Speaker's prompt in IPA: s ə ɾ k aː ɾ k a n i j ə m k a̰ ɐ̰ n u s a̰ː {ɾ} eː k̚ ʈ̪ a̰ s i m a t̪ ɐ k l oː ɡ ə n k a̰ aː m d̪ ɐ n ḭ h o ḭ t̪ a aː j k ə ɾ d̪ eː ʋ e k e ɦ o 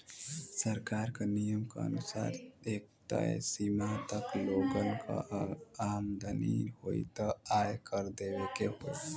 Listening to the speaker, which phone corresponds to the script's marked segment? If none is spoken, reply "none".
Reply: ɾ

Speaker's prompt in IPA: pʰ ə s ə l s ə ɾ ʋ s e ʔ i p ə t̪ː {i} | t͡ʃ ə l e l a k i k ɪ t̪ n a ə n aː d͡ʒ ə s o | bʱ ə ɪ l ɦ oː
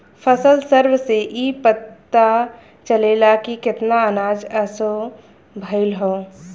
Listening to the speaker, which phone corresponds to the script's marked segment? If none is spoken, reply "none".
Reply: a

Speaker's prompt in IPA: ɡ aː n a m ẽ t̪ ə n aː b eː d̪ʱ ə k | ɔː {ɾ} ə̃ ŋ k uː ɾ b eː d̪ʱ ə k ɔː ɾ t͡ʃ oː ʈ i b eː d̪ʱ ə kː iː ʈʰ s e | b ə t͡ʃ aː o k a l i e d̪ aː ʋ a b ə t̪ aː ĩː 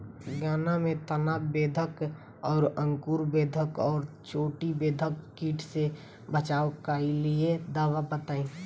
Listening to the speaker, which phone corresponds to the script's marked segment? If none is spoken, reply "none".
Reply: ɾ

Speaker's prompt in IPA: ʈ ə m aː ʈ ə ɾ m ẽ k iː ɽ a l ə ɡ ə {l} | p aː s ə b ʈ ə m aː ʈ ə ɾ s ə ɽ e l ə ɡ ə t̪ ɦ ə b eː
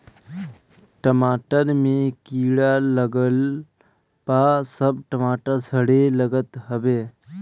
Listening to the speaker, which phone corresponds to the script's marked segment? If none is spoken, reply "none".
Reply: l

